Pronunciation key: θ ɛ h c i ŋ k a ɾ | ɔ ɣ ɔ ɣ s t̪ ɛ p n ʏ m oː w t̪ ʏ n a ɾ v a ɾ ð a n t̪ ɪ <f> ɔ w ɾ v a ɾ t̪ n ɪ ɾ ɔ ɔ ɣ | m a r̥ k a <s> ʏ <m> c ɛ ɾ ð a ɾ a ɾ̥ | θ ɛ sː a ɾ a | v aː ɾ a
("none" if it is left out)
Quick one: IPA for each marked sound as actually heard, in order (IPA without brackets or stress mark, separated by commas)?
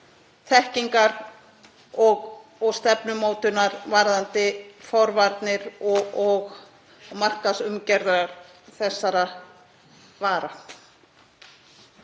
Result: f, s, m